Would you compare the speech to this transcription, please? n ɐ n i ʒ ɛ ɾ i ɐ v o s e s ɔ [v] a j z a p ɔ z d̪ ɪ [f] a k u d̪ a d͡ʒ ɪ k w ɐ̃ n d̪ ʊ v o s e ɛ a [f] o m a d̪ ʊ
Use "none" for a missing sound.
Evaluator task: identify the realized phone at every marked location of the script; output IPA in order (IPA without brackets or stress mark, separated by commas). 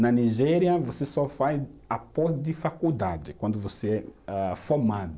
f, f, f